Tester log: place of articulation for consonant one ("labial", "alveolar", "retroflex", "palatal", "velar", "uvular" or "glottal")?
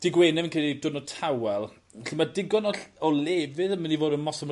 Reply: alveolar